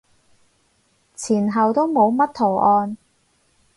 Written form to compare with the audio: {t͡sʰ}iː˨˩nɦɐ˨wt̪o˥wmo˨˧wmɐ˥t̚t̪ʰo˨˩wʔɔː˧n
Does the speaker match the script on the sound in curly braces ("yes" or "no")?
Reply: yes